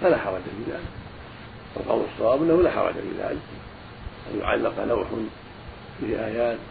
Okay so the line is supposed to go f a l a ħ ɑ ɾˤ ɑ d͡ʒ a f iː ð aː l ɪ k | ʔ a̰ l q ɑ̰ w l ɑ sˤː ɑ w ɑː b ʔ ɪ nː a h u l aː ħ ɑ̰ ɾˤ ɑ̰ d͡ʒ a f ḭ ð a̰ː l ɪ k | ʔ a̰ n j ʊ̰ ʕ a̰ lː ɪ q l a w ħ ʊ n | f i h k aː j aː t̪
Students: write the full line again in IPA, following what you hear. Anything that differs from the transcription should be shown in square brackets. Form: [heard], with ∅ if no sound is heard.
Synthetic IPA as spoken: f a l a ħ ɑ ɾˤ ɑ d͡ʒ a f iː ð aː l ɪ k | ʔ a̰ l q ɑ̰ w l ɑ sˤː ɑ w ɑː b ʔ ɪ nː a h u l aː ħ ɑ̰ ɾˤ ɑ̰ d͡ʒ a f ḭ ð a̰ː l ɪ k | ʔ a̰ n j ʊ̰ ʕ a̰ lː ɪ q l a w ħ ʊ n | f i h [ʔ] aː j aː t̪